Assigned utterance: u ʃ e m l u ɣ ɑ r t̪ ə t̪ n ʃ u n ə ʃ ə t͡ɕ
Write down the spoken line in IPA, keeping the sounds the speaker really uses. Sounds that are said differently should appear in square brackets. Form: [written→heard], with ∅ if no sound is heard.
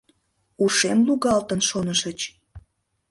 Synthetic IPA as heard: u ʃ e m l u ɣ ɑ [r→l] t̪ ə [t̪→∅] n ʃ [u→o] n ə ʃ ə t͡ɕ